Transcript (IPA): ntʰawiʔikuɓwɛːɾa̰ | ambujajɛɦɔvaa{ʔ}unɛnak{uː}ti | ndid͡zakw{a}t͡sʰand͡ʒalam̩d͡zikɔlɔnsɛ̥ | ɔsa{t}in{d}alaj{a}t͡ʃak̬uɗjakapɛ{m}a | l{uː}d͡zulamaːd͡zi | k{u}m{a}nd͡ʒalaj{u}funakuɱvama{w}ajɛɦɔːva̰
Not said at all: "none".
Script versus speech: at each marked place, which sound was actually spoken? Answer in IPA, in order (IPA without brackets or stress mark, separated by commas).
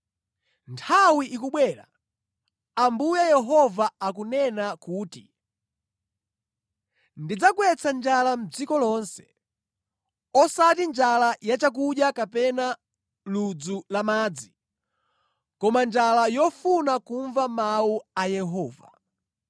k, uː, ɛ, t, d͡ʒ, a, n, u, ɔ, a, ɔ, u